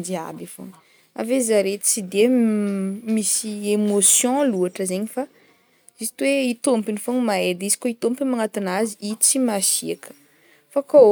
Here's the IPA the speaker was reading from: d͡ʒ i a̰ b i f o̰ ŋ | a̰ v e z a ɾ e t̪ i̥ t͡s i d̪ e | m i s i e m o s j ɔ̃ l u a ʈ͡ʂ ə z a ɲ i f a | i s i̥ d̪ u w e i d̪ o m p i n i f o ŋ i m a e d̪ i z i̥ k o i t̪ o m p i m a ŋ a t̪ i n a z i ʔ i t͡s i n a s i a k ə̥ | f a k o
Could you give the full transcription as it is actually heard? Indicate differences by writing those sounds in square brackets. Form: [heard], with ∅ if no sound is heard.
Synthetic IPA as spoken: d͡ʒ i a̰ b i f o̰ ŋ | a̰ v e z a ɾ e t̪ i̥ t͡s i d̪ e | m i s i e m o s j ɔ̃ l u a ʈ͡ʂ ə z [e] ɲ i f a | i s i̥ [t̪] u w e i [t̪] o m p i n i f o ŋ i m a e d̪ i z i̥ k o i t̪ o m p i m a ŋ a t̪ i n a z i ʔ i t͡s i [m] a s i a k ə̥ | f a k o

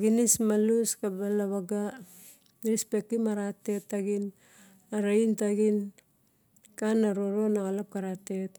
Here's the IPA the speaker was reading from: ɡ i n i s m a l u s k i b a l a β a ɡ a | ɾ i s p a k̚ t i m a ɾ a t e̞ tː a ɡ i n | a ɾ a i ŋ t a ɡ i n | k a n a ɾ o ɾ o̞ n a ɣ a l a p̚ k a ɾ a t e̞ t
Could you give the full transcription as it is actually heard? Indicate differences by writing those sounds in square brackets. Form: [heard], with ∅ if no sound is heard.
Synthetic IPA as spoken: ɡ i n i s m a l u s k [a] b a l a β a ɡ a | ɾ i s p [e] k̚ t i m a ɾ a t e̞ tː a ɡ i n | a ɾ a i [n] t a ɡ i n | k a n a ɾ o ɾ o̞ n a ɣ a l a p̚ k a ɾ a t e̞ t

